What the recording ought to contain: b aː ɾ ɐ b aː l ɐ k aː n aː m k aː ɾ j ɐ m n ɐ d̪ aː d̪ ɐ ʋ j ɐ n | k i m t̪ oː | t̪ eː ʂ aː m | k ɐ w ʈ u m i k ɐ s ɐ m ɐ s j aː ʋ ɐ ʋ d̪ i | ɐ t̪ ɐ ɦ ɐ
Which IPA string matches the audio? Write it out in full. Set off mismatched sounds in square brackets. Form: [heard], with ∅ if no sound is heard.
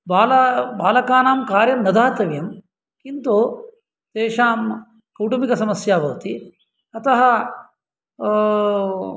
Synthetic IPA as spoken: b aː [l] ɐ b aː l ɐ k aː n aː m k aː ɾ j ɐ m n ɐ d̪ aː [t̪] ɐ ʋ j ɐ [m] | k i [n] t̪ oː | t̪ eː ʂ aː m | k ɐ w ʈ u m i k ɐ s ɐ m ɐ s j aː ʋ ɐ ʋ [t̪] i | ɐ t̪ ɐ ɦ ɐ